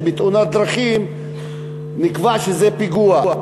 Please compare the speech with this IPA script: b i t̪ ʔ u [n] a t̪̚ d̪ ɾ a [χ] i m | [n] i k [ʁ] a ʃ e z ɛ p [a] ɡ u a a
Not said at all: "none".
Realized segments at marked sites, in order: n, χ, n, v, i

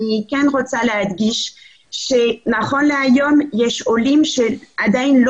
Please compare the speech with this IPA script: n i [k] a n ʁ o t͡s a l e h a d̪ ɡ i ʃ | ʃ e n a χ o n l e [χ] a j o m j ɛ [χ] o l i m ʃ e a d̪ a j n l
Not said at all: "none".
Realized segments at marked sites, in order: k, none, ʃ

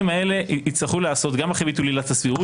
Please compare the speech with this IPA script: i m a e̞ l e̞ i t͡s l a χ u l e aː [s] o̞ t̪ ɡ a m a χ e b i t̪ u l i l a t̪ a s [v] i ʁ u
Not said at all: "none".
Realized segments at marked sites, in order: s, v

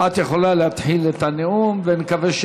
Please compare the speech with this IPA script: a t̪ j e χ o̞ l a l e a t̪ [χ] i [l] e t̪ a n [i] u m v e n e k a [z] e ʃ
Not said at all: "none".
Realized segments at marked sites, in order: ħ, l, e, v

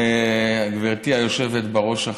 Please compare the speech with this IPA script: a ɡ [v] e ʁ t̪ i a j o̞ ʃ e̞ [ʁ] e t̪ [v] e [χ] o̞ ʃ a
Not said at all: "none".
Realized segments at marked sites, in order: v, v, b, ʁ

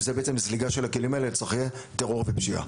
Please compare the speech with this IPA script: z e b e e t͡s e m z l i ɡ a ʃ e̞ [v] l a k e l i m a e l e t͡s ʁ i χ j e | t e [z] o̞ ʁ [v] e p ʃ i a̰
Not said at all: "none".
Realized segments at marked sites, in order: none, ʁ, v

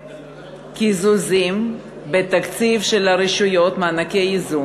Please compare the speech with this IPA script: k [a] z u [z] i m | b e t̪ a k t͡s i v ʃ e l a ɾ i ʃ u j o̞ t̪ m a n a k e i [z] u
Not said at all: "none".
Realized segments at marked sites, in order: i, z, z

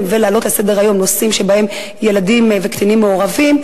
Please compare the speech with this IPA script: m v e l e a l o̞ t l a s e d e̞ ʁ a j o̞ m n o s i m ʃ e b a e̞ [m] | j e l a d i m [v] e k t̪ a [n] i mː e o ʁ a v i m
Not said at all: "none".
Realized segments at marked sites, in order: m, v, n

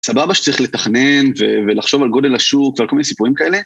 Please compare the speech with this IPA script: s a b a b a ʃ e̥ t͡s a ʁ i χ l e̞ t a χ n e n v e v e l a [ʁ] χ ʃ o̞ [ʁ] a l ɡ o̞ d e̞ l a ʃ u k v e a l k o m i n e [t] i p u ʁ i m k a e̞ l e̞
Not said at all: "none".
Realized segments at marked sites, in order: none, v, s

